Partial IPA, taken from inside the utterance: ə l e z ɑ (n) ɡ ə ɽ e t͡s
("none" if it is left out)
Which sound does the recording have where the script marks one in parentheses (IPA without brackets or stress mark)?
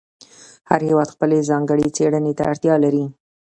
ŋ